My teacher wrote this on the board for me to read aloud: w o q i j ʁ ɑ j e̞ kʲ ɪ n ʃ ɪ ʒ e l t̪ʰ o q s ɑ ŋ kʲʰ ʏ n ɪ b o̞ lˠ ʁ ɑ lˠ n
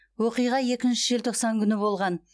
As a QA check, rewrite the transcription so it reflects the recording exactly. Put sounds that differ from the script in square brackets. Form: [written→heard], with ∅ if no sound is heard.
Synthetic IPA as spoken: w o q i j ʁ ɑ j e̞ kʲ ɪ n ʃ ɪ ʒ e l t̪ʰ o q s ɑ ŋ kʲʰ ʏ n ɪ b o̞ lˠ ʁ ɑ [lˠ→∅] n

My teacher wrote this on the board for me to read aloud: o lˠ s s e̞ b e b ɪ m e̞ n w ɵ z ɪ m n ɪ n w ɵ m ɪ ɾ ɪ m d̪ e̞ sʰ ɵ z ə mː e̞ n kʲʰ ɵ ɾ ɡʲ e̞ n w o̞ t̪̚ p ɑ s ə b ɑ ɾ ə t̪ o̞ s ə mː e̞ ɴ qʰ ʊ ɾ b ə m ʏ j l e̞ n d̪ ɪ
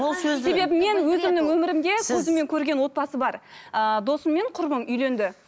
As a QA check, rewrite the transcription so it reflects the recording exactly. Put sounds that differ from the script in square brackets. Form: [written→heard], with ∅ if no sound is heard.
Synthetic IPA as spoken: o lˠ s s e̞ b e b ɪ m e̞ n w ɵ z ɪ m n ɪ [n→ŋ] w ɵ m ɪ ɾ ɪ m d̪ e̞ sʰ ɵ z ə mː e̞ [n→ŋ] kʲʰ ɵ ɾ ɡʲ e̞ n w o̞ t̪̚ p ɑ s ə b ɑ ɾ ə [t̪→d̪] o̞ s ə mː e̞ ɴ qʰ ʊ ɾ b ə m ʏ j l e̞ n d̪ ɪ

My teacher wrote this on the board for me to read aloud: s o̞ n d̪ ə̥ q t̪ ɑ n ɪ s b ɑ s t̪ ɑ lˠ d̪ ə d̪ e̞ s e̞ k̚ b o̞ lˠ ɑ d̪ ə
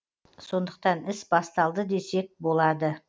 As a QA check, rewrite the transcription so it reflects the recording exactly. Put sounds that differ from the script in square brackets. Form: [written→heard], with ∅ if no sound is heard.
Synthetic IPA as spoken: s o̞ n d̪ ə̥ q t̪ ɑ n ɪ s b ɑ s t̪ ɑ lˠ d̪ ə d̪ e̞ s e̞ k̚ b o̞ lˠ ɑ d̪ ə

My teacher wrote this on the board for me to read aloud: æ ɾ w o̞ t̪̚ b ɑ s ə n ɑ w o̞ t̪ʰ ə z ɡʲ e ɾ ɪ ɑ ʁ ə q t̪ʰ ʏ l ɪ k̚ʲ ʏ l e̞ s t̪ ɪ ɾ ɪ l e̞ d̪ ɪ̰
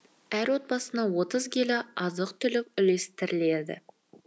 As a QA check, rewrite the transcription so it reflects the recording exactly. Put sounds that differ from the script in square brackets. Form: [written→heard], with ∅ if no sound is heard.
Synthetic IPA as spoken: æ ɾ w o̞ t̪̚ b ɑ s ə n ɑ w o̞ [t̪ʰ→t̪] ə z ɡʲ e [ɾ→l] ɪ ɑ [ʁ→z] ə q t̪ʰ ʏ l ɪ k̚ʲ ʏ l e̞ s t̪ ɪ ɾ ɪ l e̞ d̪ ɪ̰

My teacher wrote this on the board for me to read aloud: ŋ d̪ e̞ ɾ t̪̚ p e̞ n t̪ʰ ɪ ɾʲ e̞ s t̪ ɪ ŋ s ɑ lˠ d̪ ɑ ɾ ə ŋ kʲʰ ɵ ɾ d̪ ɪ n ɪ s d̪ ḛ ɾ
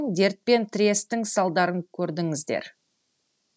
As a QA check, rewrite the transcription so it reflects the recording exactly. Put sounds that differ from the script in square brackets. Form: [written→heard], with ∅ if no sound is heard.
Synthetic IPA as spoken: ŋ d̪ e̞ ɾ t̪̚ p e̞ n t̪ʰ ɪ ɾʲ e̞ s t̪ ɪ ŋ s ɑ lˠ d̪ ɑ ɾ ə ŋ kʲʰ ɵ ɾ d̪ ɪ [n→ŋ] ɪ [s→z] d̪ ḛ ɾ

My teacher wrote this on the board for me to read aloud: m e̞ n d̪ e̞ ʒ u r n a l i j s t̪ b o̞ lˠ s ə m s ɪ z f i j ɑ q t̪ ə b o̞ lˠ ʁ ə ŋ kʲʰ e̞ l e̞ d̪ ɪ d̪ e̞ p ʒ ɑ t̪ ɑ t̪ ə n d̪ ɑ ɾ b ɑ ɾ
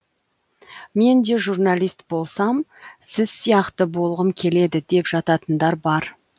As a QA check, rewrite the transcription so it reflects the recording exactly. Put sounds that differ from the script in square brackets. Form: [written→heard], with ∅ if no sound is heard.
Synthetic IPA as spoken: m e̞ n d̪ e̞ ʒ u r n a l i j s t̪ b o̞ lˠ s [ə→ɑ] m s ɪ z [f→s] i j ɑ q t̪ ə b o̞ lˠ ʁ ə [ŋ→m] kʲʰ e̞ l e̞ d̪ ɪ d̪ e̞ p ʒ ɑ t̪ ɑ t̪ ə n d̪ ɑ ɾ b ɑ ɾ

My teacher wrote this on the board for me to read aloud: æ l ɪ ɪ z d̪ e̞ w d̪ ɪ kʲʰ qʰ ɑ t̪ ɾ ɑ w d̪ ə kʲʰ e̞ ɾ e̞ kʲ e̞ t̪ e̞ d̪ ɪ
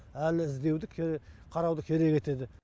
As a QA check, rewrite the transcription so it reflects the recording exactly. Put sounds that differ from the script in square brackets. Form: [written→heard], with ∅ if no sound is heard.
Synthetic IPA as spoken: æ l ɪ ɪ z d̪ e̞ w d̪ ɪ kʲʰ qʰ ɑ [t̪→∅] ɾ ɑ w d̪ ə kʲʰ e̞ ɾ e̞ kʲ e̞ t̪ e̞ d̪ ɪ

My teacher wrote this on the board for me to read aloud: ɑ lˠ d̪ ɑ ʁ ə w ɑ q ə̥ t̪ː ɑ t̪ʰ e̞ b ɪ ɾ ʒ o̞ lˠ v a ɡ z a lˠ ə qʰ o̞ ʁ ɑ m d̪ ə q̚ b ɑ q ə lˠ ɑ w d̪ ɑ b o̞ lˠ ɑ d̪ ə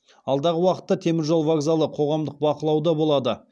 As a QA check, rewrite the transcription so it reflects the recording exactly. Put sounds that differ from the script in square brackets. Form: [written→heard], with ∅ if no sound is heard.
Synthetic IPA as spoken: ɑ lˠ d̪ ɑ ʁ ə w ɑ q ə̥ t̪ː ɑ t̪ʰ e̞ [b→m] ɪ ɾ ʒ o̞ lˠ v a ɡ z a lˠ ə qʰ o̞ ʁ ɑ m d̪ ə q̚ b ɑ q ə lˠ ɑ w d̪ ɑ b o̞ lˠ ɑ d̪ ə

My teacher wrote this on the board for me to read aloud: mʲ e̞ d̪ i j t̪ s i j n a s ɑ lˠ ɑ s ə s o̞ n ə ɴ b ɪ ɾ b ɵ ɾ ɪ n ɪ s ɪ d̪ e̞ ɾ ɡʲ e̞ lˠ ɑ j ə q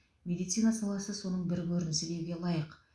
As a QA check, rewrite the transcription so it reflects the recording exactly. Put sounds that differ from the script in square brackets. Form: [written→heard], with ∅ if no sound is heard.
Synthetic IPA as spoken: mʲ e̞ d̪ i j t̪ s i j n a s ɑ lˠ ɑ s ə s o̞ n ə ɴ b ɪ ɾ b ɵ ɾ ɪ n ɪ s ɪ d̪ e̞ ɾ ɡʲ e̞ lˠ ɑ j ə q

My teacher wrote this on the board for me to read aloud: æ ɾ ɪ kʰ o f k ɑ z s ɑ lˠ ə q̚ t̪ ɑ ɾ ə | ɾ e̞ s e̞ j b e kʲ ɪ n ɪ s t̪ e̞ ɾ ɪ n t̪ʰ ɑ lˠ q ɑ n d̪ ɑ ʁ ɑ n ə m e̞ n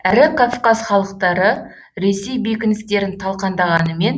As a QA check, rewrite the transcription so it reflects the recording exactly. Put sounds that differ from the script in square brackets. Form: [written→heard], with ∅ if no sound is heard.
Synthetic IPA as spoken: æ ɾ ɪ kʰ o f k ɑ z [s→χ] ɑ lˠ ə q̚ t̪ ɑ ɾ ə | ɾ e̞ s e̞ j b e kʲ ɪ n ɪ s t̪ e̞ ɾ ɪ n t̪ʰ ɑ lˠ q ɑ n d̪ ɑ ʁ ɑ n ə m e̞ n

